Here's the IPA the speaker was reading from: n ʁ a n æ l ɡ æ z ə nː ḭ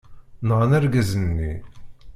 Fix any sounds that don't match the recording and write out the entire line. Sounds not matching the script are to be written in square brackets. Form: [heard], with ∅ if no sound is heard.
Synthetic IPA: n ʁ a n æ [ɾ] ɡ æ z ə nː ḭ